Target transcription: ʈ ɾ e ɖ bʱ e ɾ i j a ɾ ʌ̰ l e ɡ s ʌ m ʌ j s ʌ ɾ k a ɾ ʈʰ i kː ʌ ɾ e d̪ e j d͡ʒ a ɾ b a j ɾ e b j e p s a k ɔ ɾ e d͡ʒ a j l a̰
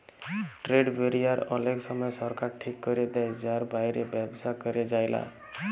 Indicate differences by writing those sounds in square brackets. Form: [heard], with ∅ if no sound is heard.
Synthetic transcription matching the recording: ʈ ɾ e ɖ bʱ e ɾ i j a ɾ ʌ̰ l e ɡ s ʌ m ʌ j s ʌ ɾ k a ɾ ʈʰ i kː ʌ ɾ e d̪ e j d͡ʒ a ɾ b a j ɾ e b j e [b] s a k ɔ ɾ e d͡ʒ a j l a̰